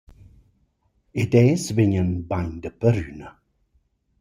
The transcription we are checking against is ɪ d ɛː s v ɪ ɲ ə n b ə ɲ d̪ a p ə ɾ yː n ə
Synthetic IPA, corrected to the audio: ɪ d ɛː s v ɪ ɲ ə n b a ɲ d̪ ə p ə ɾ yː n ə